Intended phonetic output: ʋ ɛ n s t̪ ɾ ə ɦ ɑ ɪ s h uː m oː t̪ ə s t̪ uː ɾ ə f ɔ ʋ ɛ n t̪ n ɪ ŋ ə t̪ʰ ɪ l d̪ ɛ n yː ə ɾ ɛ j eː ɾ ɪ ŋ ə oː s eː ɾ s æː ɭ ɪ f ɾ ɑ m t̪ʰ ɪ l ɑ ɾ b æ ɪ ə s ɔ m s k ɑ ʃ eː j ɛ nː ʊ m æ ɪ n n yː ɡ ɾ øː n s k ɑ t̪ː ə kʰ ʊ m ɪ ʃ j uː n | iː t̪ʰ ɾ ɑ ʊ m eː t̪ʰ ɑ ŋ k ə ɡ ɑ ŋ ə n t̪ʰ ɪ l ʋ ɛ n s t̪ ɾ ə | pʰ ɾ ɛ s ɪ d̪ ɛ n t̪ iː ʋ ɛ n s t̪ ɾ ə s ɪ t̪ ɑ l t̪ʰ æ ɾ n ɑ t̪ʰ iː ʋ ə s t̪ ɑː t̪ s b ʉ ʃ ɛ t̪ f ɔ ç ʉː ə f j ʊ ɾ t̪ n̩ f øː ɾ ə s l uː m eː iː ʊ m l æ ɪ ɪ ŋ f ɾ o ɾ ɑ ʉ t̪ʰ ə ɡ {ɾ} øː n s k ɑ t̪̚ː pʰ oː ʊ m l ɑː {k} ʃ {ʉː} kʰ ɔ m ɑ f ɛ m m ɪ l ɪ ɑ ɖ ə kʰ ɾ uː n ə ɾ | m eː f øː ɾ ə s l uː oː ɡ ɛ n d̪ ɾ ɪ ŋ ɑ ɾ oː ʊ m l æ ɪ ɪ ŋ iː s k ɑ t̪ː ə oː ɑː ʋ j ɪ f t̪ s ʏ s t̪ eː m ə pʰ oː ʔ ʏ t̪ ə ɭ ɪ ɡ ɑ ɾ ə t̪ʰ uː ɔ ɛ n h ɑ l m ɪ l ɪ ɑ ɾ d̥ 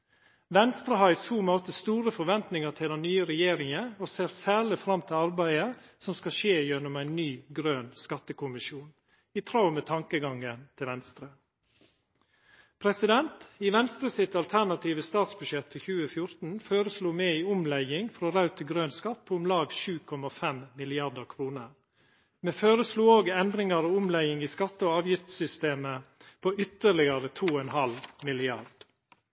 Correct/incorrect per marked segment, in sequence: correct, incorrect: ɡ, correct

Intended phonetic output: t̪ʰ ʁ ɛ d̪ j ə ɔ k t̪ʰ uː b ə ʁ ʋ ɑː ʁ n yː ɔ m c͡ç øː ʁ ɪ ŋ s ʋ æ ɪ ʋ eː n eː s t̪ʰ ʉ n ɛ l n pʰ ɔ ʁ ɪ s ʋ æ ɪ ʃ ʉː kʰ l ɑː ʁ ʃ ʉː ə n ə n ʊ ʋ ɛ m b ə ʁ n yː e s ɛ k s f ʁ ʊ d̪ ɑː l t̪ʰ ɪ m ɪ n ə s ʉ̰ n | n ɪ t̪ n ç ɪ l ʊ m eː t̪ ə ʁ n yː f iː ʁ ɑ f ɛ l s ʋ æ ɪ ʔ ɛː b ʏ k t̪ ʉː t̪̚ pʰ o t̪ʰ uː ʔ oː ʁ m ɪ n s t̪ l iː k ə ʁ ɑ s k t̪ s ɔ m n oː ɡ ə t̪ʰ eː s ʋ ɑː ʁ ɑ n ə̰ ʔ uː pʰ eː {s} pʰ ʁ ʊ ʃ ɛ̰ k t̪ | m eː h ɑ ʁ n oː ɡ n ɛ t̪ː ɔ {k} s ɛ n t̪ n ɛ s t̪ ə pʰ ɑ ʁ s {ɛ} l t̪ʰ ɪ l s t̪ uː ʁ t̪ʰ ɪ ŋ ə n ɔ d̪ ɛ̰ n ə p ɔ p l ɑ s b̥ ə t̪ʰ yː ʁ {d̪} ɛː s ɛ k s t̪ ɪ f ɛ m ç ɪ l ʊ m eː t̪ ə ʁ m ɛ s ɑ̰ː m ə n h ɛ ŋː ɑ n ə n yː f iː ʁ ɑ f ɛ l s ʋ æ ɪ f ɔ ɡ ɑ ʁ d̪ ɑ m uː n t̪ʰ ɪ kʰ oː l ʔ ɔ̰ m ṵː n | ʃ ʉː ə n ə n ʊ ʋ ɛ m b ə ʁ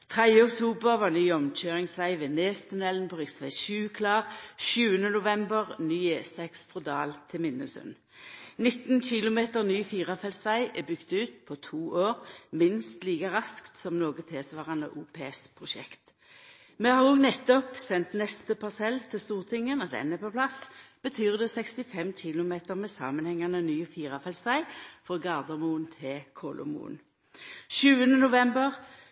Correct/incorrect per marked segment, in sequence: correct, incorrect: p, correct, correct

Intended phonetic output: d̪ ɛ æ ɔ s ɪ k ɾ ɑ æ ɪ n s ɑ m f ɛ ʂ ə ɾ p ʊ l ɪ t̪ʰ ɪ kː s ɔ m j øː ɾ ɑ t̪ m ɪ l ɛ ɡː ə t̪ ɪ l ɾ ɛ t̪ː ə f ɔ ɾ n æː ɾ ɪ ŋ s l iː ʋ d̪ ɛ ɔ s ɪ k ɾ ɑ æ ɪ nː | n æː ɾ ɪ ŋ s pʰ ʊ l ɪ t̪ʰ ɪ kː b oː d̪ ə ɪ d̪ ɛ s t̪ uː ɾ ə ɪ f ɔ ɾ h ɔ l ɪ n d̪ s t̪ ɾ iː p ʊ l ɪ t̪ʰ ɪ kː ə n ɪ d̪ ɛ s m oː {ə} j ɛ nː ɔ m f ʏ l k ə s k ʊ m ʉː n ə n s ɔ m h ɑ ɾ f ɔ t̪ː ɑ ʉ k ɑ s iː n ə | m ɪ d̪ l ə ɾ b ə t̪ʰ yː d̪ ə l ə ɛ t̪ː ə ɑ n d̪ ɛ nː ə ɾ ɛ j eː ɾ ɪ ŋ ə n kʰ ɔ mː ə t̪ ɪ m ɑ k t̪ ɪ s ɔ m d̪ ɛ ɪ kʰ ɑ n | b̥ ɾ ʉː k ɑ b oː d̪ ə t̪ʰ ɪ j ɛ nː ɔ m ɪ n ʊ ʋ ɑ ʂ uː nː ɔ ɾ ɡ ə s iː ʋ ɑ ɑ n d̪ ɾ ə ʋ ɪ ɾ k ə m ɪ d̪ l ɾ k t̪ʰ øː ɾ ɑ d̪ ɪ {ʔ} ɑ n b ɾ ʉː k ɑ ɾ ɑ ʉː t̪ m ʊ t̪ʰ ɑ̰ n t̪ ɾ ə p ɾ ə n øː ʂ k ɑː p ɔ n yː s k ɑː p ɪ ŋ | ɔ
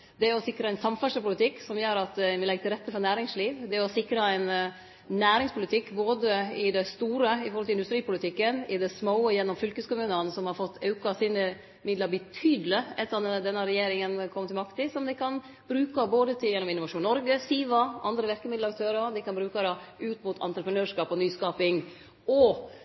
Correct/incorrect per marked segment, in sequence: correct, incorrect: k

